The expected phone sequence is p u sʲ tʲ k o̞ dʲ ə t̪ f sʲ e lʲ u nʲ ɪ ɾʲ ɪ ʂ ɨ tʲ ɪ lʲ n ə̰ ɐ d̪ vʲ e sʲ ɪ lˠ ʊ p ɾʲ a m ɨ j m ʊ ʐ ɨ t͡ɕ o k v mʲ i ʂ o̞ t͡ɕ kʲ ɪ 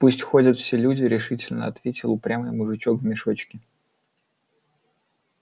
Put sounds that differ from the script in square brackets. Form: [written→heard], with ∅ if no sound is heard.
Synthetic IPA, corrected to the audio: p u sʲ tʲ [k→x] o̞ dʲ ə t̪ f sʲ e lʲ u [nʲ→dʲ] ɪ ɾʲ ɪ ʂ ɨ tʲ ɪ lʲ n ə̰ ɐ [d̪→t̪] vʲ e [sʲ→tʲ] ɪ lˠ ʊ p ɾʲ a m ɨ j m ʊ ʐ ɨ t͡ɕ o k v mʲ [i→ɪ] ʂ o̞ t͡ɕ kʲ ɪ

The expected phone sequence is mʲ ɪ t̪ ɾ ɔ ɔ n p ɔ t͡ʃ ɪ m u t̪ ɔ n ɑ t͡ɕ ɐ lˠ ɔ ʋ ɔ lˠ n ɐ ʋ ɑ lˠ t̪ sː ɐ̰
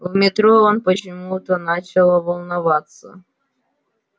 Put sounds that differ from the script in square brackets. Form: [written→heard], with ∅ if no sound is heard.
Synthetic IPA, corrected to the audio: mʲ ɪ t̪ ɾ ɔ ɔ n p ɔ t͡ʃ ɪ m u t̪ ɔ n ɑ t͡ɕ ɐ lˠ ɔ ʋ ɔ lˠ n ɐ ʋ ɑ [lˠ→∅] t̪ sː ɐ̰

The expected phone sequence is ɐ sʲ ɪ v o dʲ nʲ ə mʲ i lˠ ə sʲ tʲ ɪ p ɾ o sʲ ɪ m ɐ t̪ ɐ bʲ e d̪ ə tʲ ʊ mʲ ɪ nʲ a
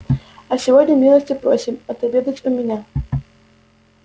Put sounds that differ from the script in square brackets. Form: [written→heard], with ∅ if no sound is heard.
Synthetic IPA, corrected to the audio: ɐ sʲ ɪ v o dʲ nʲ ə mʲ i lˠ ə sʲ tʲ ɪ p ɾ o sʲ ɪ m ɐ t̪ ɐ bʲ e d̪ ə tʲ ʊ mʲ ɪ nʲ a

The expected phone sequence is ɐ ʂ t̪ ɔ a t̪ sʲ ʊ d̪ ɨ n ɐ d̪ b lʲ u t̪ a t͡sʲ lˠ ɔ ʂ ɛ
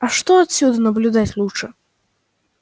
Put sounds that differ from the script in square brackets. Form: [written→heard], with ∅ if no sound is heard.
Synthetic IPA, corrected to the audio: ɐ ʂ t̪ ɔ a t̪ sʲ [ʊ→u] d̪ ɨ n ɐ [d̪→∅] b lʲ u [t̪→d̪] a t͡sʲ lˠ [ɔ→u] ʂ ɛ

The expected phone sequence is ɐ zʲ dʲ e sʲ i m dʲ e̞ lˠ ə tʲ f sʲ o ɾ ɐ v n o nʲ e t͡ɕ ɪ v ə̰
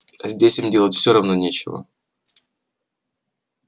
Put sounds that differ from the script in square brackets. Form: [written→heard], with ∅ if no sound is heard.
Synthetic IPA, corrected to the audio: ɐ zʲ dʲ e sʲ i m dʲ e̞ lˠ ə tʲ f sʲ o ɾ ɐ v n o nʲ e t͡ɕ ɪ v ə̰

